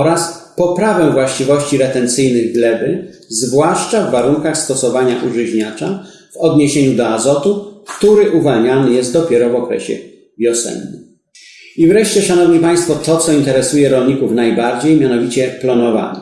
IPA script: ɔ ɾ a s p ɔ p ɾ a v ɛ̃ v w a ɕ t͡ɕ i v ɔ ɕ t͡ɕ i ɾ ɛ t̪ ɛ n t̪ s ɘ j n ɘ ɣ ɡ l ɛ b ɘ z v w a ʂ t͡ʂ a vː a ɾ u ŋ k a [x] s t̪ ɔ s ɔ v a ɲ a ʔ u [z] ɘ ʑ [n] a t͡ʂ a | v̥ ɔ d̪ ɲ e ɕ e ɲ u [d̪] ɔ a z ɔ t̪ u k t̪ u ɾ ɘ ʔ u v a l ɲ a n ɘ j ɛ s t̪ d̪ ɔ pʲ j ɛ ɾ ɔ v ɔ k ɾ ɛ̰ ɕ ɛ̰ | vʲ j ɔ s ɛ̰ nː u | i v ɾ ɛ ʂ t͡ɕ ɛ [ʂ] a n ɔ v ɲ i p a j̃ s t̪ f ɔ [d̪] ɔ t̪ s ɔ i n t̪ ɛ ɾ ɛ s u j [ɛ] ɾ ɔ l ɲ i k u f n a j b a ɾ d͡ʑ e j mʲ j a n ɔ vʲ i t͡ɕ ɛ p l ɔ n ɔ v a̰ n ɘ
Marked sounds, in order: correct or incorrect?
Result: correct, incorrect, incorrect, correct, correct, incorrect, correct

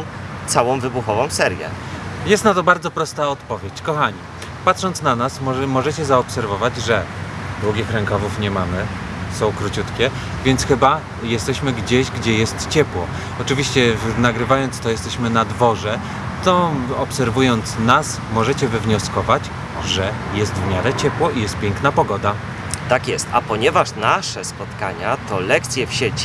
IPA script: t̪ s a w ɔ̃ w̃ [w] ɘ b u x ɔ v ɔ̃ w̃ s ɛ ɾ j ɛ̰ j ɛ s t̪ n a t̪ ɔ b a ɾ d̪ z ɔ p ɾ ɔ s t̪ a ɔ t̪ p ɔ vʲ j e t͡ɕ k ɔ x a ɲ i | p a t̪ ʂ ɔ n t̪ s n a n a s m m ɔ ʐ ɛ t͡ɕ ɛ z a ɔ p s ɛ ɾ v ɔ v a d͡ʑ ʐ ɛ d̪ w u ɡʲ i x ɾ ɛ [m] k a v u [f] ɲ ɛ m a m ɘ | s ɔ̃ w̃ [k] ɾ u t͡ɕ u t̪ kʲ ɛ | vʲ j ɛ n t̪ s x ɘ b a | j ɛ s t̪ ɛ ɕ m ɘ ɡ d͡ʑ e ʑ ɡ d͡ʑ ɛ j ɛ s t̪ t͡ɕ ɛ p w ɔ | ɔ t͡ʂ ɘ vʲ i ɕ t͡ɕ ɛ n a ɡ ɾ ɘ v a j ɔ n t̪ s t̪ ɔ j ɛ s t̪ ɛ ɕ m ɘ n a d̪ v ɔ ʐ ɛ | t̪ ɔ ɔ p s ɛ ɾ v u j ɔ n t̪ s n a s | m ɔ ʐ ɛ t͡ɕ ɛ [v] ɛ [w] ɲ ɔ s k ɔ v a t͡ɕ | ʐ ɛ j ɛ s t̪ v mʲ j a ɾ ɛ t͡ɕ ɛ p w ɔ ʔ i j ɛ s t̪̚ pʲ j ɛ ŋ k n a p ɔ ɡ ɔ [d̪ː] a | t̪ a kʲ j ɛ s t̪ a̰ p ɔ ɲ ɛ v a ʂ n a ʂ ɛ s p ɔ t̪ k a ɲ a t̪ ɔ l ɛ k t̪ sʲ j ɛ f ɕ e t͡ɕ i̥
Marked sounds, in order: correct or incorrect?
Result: incorrect, incorrect, correct, correct, correct, incorrect, incorrect

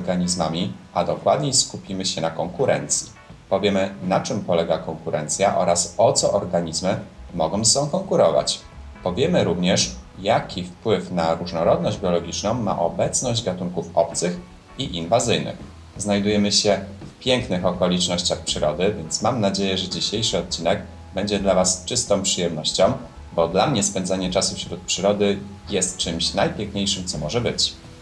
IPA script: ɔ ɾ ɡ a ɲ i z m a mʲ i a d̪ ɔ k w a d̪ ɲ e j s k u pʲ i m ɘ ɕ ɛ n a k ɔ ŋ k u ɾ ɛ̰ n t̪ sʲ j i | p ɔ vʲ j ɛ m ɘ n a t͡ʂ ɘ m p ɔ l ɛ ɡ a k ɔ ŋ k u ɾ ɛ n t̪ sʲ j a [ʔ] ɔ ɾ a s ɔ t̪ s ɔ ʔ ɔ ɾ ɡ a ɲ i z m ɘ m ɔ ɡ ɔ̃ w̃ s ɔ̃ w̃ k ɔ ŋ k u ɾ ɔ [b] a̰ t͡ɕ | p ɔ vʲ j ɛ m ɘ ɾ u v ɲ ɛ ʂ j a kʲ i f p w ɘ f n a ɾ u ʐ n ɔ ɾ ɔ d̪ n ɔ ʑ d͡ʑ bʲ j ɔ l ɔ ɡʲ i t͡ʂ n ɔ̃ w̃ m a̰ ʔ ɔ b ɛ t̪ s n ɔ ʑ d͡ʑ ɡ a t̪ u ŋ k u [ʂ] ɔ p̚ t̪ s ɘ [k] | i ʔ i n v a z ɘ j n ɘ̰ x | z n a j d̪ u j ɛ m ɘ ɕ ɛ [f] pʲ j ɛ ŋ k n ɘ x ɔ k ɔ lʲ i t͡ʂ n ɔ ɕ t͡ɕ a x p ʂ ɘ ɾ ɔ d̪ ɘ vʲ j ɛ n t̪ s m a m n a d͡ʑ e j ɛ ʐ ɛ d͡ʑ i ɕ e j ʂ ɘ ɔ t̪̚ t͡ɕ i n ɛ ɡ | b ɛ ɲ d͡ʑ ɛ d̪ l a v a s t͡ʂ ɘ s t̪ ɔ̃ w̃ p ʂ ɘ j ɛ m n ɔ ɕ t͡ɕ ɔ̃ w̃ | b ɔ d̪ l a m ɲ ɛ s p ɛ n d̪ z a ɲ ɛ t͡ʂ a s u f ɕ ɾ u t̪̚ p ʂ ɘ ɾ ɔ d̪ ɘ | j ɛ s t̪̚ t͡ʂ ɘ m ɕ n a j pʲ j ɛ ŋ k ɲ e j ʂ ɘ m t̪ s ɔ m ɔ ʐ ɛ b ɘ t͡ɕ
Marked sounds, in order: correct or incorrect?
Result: correct, incorrect, incorrect, incorrect, correct

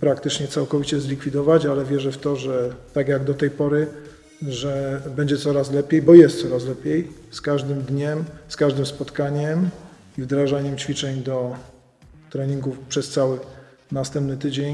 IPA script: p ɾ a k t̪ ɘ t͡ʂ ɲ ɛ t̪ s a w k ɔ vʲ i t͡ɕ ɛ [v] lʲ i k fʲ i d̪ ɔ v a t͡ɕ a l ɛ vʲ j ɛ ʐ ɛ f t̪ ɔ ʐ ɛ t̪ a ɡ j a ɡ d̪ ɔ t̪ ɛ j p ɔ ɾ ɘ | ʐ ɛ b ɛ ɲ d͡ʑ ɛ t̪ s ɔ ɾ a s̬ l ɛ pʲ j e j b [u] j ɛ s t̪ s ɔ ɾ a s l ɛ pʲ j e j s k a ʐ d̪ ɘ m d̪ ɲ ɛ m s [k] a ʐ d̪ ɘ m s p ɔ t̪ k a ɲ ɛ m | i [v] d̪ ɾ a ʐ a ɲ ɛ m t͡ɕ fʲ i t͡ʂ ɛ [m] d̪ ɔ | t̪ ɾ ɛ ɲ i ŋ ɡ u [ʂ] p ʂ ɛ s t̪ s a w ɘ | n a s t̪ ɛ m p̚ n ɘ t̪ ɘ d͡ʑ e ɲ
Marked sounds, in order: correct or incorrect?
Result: incorrect, incorrect, correct, correct, incorrect, incorrect

